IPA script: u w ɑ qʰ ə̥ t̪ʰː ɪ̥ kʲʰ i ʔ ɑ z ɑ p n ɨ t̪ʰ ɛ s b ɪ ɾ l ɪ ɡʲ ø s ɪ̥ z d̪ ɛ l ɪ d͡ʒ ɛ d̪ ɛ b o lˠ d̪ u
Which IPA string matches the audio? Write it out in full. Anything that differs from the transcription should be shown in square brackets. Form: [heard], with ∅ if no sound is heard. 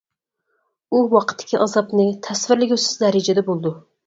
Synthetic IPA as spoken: u w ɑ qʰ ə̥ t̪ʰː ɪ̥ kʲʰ i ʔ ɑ z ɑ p n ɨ t̪ʰ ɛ s [v] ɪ ɾ l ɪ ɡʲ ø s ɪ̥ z d̪ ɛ [ɾ] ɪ d͡ʒ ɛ d̪ ɛ b o lˠ d̪ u